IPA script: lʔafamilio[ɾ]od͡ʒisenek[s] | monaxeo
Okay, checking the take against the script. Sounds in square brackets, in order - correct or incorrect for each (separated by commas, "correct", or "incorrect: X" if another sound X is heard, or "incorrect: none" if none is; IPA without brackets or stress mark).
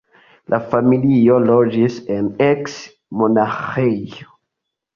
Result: incorrect: l, correct